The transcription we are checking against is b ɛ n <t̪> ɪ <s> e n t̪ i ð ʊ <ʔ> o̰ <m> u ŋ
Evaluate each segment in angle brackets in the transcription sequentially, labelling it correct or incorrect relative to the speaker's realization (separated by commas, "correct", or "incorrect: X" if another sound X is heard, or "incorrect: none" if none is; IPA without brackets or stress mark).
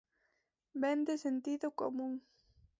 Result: incorrect: d̪, correct, incorrect: k, correct